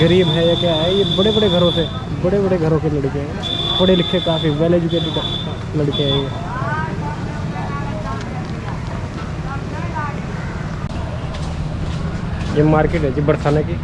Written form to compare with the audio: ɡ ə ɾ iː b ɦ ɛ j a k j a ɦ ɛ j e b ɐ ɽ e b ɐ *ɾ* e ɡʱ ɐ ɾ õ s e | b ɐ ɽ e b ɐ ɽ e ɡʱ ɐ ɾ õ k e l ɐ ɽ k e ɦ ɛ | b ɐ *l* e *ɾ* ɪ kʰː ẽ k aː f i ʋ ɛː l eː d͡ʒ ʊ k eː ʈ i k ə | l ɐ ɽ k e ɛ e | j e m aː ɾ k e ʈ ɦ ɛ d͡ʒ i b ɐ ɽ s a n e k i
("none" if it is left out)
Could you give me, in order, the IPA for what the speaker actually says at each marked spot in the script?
ɽ, ɽ, l

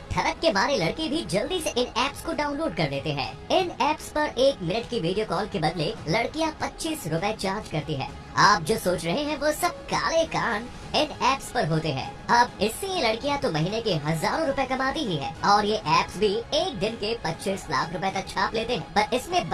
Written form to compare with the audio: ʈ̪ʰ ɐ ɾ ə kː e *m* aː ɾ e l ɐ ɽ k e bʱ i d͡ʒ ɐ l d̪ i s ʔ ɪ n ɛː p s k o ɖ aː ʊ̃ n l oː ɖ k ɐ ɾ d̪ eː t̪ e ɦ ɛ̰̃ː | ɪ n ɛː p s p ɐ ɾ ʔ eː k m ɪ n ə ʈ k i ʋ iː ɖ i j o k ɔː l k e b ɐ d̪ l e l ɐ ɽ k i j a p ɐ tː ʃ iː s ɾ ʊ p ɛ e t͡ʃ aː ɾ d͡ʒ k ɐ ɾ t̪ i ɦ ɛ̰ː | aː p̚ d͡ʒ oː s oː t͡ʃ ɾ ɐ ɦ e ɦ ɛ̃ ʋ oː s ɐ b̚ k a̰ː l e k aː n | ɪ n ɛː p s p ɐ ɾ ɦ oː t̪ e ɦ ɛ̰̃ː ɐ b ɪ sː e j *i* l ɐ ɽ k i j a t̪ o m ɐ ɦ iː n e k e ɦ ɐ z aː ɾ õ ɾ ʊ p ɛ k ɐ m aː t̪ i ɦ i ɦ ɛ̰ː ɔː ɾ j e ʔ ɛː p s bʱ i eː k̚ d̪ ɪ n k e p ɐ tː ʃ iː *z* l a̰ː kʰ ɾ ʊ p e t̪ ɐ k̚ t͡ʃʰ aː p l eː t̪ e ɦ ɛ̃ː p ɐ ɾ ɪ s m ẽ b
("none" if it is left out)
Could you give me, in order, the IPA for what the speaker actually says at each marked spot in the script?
m, e, s

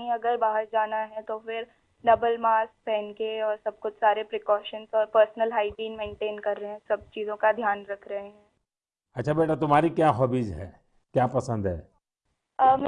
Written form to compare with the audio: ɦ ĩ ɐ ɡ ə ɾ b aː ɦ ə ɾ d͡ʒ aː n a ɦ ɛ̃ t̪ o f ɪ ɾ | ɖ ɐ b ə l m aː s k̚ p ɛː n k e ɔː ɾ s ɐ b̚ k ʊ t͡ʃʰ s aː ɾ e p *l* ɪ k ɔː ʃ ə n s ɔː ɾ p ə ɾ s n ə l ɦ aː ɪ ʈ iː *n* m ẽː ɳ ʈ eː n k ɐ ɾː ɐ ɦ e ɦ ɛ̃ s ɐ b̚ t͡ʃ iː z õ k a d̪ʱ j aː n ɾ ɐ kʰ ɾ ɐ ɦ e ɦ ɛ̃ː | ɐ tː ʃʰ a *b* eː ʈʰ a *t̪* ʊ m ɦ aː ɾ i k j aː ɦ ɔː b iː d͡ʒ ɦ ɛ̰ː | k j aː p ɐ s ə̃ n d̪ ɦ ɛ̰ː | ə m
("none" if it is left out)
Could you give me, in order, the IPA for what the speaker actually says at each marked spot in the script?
ɾ, n, b, t̪

